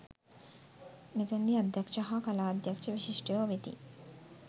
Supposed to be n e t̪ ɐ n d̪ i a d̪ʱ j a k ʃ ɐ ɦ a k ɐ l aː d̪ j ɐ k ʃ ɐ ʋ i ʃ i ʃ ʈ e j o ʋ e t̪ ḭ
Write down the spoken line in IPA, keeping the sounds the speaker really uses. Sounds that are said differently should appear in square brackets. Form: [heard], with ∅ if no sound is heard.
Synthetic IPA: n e t̪ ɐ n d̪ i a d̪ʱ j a k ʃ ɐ ɦ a k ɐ l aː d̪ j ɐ k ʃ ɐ ʋ i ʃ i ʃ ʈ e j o ʋ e t̪ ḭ